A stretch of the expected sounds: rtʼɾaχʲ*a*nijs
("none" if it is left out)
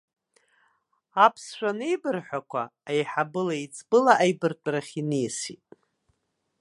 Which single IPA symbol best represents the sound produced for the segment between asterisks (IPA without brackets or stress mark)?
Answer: i